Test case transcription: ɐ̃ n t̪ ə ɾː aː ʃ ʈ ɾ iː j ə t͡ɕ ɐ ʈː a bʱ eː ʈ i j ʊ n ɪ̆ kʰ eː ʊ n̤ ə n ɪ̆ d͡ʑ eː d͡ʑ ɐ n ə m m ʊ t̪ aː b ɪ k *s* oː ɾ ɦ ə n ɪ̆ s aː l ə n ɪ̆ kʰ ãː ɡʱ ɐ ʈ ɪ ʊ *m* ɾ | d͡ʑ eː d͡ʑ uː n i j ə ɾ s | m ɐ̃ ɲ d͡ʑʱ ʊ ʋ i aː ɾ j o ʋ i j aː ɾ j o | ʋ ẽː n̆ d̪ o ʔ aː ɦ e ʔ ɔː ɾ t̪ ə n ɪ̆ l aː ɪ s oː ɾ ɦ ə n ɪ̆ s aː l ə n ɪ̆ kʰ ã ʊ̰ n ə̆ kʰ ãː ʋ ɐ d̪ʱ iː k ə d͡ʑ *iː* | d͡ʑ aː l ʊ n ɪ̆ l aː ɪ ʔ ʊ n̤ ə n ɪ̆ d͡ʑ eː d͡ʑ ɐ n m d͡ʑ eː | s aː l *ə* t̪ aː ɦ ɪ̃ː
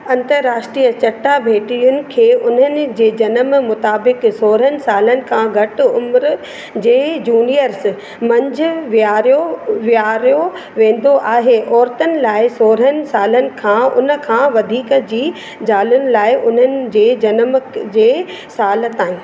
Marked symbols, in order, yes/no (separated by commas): yes, yes, yes, yes